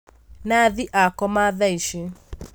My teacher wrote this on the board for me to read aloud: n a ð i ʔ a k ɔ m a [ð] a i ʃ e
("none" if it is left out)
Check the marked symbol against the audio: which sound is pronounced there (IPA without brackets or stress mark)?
ð